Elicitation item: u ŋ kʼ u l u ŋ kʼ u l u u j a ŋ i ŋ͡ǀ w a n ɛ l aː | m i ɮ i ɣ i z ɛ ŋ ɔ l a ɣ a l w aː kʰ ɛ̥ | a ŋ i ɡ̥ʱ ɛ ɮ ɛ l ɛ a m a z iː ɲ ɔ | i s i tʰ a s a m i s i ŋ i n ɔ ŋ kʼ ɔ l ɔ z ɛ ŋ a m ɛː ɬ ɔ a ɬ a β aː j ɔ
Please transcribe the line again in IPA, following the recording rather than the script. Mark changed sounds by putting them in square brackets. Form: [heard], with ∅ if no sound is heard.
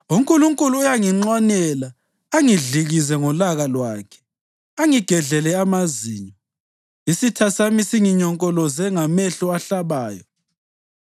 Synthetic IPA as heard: u ŋ kʼ u l u ŋ kʼ u l u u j a ŋ i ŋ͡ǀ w a n ɛ l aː | [ŋ] i ɮ i ɣ i z ɛ ŋ ɔ l a ɣ a l w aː kʰ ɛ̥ | a ŋ i ɡ̥ʱ ɛ ɮ ɛ l ɛ a m a z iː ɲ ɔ | i s i tʰ a s a m i s i ŋ i [ɲ] ɔ ŋ kʼ ɔ l ɔ z ɛ ŋ a m [ɛ] ɬ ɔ a ɬ a β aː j ɔ